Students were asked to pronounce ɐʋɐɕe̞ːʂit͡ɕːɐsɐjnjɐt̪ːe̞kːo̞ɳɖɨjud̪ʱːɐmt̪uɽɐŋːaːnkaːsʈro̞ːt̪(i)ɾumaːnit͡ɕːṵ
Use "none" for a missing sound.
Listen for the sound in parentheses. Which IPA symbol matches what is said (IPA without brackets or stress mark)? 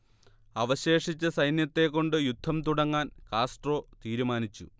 iː